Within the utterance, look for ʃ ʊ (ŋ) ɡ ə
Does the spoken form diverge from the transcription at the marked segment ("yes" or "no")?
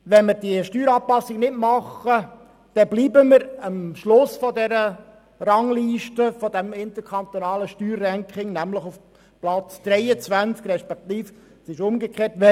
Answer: yes